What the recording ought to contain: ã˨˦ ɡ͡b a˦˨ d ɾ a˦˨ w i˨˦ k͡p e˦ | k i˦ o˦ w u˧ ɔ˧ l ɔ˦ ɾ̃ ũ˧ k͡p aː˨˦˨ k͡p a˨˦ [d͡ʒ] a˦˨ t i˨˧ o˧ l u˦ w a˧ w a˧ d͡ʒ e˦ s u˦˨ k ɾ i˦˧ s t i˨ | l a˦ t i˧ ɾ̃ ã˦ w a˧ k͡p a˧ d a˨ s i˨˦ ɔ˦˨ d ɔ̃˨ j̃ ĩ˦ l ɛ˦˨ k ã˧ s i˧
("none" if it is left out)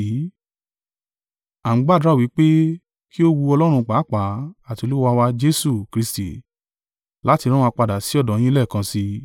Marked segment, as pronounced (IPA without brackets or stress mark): none